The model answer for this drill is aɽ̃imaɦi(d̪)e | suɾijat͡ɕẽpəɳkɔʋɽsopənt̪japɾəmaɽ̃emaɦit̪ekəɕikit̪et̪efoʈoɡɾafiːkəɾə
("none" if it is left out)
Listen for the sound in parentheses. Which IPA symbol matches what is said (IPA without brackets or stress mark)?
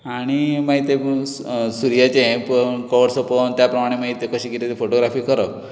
t̪